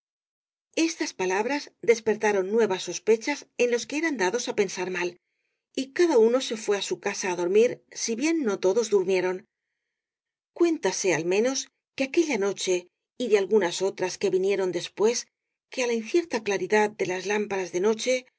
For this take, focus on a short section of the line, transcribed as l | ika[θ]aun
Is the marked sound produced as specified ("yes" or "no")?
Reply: no